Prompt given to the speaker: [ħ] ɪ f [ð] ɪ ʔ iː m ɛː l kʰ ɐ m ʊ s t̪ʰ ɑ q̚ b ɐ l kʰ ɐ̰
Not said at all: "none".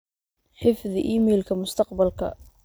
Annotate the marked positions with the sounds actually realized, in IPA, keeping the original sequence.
ħ, ð

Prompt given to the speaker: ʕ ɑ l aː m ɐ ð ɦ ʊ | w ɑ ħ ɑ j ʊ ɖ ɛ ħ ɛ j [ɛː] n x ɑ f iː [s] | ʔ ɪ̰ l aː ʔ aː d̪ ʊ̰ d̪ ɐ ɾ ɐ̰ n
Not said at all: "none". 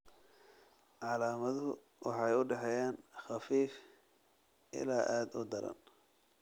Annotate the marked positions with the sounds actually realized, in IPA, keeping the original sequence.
aː, f

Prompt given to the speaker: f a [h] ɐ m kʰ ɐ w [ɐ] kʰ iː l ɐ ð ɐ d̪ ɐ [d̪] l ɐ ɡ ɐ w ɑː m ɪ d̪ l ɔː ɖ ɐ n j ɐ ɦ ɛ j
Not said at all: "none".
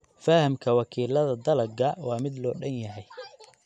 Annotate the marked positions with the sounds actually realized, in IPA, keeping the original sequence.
h, ɑ, none

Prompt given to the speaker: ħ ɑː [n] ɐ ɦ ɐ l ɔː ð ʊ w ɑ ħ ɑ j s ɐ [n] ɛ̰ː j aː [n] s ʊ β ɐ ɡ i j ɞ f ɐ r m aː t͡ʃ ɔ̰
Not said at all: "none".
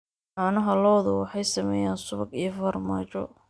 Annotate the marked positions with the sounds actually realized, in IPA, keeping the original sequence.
n, m, n

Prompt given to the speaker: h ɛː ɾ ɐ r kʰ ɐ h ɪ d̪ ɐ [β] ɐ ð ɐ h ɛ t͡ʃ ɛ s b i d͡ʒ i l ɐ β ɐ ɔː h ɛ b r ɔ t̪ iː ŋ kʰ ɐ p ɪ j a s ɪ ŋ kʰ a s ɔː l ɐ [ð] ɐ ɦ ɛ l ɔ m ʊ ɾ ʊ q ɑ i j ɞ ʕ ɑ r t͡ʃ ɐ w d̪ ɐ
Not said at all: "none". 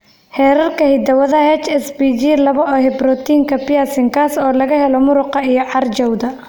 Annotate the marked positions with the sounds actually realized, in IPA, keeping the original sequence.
w, ɣ

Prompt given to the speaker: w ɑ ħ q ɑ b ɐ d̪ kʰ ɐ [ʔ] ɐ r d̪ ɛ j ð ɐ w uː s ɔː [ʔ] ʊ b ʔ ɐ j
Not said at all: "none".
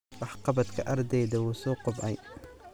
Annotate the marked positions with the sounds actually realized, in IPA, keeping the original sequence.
ʔ, q

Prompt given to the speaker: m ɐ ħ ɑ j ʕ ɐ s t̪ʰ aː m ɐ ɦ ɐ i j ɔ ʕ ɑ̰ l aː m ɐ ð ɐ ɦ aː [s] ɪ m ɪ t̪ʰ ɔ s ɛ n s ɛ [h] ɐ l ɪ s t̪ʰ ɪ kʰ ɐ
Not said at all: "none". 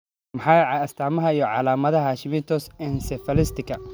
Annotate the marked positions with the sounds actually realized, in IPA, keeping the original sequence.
ʃ, f

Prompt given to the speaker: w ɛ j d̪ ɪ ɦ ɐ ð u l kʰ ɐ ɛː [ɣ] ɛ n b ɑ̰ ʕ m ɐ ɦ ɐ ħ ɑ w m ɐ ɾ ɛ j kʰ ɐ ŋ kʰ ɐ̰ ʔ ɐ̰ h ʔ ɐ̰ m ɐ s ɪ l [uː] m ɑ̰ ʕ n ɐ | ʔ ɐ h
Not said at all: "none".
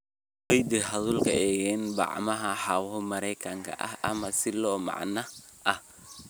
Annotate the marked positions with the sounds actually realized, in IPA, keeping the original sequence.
ɣ, ɔː

